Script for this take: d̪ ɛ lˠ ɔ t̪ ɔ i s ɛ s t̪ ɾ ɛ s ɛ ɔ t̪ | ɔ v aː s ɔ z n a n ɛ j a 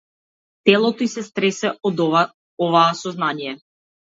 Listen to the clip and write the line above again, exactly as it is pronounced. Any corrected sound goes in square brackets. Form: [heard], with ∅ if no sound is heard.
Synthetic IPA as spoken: [t̪] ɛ lˠ ɔ t̪ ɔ i s ɛ s t̪ ɾ ɛ s ɛ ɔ [d̪] | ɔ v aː s ɔ z n a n [i] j [ɛ]